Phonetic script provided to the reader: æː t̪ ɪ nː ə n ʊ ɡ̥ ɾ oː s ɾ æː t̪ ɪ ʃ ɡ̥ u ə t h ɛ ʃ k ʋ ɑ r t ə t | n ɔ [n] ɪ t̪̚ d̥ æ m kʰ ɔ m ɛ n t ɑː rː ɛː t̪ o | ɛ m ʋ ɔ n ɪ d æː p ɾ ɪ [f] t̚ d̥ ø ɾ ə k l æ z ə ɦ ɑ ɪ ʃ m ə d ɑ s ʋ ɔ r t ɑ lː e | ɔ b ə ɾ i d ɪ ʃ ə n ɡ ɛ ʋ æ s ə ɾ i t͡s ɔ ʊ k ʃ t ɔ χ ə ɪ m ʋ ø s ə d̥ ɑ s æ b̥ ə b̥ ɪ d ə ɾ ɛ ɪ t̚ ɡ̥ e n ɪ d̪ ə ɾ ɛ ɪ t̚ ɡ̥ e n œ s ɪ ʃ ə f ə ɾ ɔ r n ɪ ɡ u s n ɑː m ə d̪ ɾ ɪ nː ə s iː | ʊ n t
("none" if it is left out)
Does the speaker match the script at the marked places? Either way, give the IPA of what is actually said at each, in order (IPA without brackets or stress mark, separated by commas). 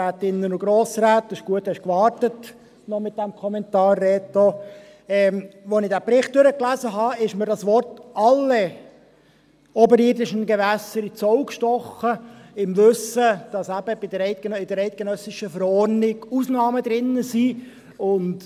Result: m, χ